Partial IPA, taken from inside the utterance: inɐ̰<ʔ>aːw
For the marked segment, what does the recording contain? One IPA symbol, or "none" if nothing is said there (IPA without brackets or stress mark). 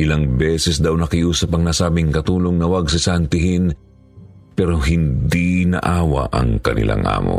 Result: ʔ